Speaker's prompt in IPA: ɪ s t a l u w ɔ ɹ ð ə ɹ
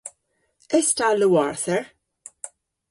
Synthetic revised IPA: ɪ s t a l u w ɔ ɹ θ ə ɹ

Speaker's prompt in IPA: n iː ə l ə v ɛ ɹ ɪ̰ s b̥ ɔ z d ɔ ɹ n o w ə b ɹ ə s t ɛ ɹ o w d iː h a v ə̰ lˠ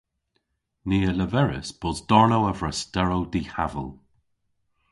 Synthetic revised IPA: n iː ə l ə v ɛ ɹ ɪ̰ s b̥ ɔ z d ɔ ɹ n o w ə v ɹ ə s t ɛ ɹ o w d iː h a v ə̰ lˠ

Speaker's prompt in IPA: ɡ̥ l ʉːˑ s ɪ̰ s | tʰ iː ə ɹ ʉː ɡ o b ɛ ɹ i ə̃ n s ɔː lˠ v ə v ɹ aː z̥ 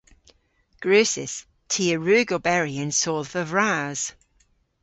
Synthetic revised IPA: ɡ̥ ɹ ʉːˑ s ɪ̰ s | tʰ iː ə ɹ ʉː ɡ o b ɛ ɹ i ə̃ n s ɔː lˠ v ə v ɹ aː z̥

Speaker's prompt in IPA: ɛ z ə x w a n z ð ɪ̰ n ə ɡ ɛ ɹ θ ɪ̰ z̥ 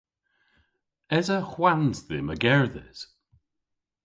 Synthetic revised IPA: ɛ z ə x w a n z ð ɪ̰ m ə ɡ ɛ ɹ ð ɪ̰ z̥

